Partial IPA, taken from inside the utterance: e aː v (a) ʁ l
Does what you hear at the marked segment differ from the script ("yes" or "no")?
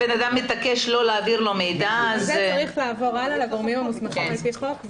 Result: yes